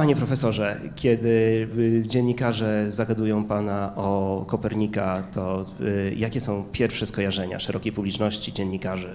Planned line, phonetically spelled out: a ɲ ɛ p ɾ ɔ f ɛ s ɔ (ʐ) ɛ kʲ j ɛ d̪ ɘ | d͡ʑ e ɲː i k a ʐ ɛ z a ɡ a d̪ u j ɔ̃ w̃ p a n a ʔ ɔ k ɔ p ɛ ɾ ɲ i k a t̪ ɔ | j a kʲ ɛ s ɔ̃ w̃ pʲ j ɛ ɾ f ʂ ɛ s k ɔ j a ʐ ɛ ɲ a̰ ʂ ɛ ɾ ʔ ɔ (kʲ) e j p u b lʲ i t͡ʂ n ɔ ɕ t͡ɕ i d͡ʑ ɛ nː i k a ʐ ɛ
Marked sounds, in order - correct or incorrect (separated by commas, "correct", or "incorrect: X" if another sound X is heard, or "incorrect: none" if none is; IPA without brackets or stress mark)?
correct, correct